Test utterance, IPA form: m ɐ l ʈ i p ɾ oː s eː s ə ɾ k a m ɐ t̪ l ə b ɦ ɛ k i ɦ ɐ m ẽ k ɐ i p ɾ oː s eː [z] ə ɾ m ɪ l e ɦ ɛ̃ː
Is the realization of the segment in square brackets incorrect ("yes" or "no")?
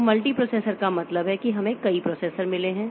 yes